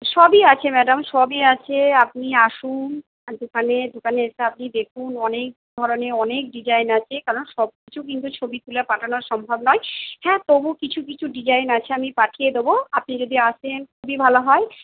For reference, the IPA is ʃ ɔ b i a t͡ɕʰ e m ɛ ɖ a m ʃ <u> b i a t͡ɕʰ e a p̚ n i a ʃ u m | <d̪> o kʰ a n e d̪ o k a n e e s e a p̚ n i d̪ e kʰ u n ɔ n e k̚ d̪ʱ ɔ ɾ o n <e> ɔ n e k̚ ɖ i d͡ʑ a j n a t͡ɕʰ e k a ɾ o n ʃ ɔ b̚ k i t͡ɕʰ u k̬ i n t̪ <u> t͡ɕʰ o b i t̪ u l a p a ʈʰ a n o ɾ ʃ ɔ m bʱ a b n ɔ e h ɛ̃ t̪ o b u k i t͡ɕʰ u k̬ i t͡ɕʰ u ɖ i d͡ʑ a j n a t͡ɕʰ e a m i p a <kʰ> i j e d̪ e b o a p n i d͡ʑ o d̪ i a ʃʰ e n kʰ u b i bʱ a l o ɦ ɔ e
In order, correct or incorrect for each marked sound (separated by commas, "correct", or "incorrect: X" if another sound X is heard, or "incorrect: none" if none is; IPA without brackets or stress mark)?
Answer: incorrect: ɔ, correct, correct, correct, incorrect: ʈʰ